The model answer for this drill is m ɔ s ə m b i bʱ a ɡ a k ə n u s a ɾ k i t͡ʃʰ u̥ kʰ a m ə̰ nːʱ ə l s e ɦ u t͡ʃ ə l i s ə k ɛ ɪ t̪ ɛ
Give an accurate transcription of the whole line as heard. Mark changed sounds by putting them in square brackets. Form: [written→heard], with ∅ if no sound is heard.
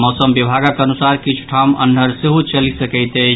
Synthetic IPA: m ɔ s ə m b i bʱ a ɡ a k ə n u s a ɾ k i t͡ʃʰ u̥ [kʰ→ʈʰ] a m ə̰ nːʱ ə [l→ɾ] s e ɦ u t͡ʃ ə l i s ə k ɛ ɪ t̪ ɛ